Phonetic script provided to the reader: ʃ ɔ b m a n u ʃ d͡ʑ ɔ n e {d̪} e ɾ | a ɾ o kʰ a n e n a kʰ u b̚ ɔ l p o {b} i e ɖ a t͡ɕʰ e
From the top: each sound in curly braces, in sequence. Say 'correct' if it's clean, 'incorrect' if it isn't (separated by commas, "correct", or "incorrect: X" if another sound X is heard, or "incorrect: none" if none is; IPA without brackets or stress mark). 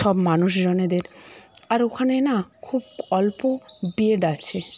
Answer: correct, correct